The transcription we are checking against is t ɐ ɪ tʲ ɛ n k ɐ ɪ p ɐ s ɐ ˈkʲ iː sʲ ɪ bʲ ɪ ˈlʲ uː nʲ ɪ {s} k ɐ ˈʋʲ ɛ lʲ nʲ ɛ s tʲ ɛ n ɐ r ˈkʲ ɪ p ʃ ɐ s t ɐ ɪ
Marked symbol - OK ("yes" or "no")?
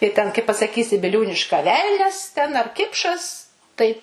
no